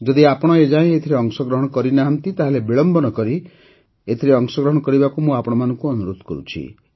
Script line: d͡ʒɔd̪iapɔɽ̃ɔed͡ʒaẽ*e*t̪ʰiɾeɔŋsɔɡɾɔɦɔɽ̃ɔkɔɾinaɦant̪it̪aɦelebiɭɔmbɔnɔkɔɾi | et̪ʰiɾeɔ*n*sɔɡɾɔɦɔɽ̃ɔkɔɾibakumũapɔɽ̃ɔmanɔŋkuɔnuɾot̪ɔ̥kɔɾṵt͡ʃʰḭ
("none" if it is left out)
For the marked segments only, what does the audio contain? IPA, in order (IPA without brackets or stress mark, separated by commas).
e, ŋ